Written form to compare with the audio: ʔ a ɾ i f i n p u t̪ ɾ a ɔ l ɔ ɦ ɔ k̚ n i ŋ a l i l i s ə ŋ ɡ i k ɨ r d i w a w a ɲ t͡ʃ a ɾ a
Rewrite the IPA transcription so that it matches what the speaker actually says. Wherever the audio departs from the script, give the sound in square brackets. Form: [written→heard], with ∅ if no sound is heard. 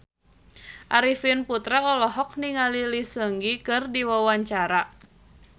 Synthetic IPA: ʔ a ɾ i f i n p u t̪ ɾ a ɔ l ɔ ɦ ɔ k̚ n i ŋ a l i l i s ə ŋ ɡ i k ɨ r d i w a w a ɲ t͡ʃ a ɾ a